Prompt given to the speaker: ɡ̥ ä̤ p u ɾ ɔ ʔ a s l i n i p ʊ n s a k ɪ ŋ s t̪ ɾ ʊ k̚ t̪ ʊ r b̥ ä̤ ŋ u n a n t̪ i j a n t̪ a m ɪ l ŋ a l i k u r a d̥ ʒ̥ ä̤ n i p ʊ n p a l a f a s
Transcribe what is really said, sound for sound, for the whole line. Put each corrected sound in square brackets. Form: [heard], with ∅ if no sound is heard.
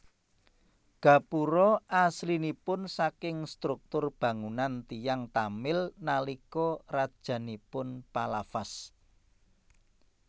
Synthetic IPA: ɡ̥ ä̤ p u ɾ ɔ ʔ a s l i n i p ʊ n s a k ɪ ŋ s t̪ ɾ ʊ k̚ t̪ ʊ r b̥ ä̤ ŋ u n a n t̪ i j a [ŋ] t̪ a m ɪ l [n] a l i k [ɔ] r a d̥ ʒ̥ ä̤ n i p ʊ n p a l a f a s